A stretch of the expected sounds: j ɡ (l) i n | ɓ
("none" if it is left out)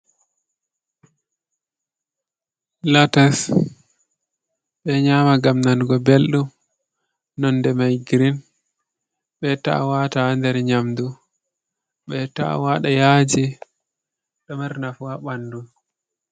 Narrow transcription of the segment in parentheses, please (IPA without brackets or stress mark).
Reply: ɾ